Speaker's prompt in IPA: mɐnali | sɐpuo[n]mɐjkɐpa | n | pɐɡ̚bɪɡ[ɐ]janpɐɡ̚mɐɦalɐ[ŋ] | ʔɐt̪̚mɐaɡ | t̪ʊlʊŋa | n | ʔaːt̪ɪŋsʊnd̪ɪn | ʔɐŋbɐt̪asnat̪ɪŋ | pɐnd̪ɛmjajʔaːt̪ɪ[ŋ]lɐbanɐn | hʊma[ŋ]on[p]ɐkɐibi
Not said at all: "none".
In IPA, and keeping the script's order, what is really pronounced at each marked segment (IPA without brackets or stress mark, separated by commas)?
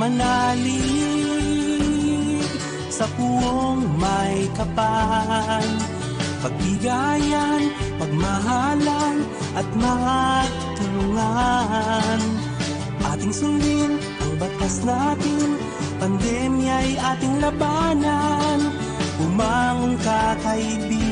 ŋ, a, n, ŋ, ŋ, k